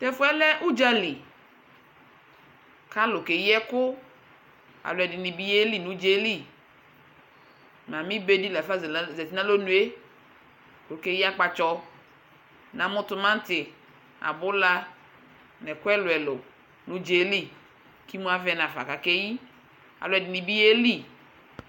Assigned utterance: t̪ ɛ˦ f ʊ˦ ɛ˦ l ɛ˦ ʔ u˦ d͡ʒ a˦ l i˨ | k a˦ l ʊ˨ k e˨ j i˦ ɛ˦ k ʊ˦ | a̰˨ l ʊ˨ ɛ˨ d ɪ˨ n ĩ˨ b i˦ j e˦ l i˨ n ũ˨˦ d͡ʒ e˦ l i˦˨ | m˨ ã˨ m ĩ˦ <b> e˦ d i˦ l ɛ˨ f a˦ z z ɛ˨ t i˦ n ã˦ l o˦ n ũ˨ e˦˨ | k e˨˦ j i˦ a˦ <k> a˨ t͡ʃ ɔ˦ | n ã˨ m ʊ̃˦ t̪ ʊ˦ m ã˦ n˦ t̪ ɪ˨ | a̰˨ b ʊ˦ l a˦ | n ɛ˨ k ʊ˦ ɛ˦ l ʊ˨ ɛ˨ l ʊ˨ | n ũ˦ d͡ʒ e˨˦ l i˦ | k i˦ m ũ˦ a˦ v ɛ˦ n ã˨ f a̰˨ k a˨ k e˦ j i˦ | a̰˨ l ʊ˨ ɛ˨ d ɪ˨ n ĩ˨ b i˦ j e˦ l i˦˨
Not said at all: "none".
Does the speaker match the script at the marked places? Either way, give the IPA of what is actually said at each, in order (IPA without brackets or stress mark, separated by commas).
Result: b, k͡p